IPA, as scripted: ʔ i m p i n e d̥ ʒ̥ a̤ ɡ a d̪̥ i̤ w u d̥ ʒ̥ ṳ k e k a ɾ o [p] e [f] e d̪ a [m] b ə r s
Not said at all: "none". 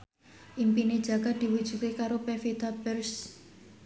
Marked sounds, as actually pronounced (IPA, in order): p, f, none

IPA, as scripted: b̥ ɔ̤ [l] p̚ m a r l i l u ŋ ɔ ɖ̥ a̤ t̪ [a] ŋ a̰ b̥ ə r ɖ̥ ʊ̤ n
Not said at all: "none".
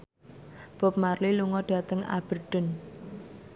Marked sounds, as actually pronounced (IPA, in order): none, ə

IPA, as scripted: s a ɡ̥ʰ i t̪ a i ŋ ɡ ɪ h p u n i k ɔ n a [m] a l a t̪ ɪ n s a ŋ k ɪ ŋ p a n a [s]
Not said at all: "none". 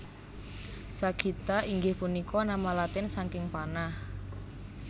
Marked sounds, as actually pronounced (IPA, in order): m, h

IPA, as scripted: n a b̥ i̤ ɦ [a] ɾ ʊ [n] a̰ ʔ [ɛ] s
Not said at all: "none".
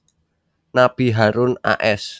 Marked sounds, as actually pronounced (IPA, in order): a, n, ɛ

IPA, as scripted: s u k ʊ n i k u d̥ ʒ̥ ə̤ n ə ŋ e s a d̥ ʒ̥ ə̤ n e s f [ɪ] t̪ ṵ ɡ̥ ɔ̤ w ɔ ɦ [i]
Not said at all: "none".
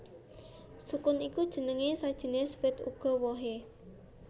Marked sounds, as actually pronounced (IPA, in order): ɪ, e

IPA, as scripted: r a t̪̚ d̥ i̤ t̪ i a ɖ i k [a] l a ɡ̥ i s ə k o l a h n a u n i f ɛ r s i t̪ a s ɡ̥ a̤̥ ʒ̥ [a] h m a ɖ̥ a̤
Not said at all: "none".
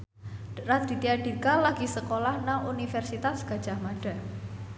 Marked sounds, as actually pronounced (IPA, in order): a, a

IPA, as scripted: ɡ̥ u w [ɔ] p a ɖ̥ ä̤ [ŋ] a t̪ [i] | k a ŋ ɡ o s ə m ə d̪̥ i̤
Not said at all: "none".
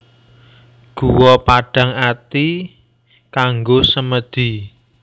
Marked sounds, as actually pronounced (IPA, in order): ɔ, ŋ, i

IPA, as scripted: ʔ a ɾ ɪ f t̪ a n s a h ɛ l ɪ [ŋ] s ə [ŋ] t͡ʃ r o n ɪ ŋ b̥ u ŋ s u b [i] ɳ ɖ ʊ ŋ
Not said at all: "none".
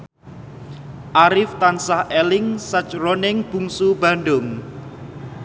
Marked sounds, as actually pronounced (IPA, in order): ŋ, none, a

